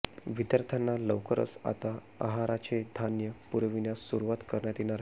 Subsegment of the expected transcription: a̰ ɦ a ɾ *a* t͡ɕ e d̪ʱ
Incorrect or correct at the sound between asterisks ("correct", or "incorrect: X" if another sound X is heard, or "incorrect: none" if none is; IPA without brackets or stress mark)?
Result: correct